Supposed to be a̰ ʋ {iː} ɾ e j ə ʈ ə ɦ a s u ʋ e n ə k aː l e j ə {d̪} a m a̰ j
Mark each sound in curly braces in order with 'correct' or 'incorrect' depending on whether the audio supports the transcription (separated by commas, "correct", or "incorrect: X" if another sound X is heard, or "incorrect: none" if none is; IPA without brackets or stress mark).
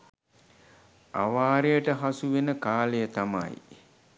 incorrect: aː, incorrect: t̪